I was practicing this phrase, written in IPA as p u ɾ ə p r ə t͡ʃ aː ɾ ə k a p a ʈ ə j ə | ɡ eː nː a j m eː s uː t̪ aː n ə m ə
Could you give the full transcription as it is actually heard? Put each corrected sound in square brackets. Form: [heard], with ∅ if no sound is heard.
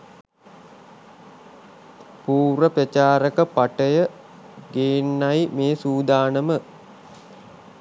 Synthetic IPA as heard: p [uː] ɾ ə p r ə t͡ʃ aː ɾ ə k [ə] p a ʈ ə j ə | ɡ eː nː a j m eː s uː [d̪] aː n ə m ə